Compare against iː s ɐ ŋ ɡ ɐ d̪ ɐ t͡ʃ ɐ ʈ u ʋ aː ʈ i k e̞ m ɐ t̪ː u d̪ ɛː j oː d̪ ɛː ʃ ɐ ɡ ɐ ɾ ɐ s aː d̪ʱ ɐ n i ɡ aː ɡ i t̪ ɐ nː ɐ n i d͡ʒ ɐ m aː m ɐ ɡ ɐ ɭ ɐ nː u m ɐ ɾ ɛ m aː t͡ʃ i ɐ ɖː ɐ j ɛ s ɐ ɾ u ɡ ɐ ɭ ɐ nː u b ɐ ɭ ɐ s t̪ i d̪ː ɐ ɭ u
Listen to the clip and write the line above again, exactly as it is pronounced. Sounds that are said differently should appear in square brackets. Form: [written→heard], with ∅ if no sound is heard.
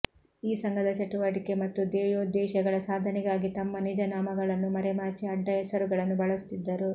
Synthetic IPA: iː s ɐ ŋ ɡ ɐ d̪ ɐ t͡ʃ ɐ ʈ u ʋ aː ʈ i k e̞ m ɐ t̪ː u d̪ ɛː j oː d̪ ɛː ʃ ɐ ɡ ɐ [ɾ→ɭ] ɐ s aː d̪ʱ ɐ n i ɡ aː ɡ i t̪ ɐ [nː→mː] ɐ n i d͡ʒ ɐ [m→n] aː m ɐ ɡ ɐ ɭ ɐ nː u m ɐ ɾ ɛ m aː t͡ʃ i ɐ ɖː ɐ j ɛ s ɐ ɾ u ɡ ɐ ɭ ɐ nː u b ɐ ɭ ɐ s t̪ i d̪ː ɐ [ɭ→ɾ] u